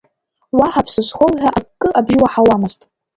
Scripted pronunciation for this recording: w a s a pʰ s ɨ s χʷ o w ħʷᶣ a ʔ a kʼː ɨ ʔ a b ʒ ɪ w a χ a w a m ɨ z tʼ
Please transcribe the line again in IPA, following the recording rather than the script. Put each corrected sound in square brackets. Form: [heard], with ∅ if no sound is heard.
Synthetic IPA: w a [ħ] a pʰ s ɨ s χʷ o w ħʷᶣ a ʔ a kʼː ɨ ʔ a b ʒ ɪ w a [ħ] a w a m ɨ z tʼ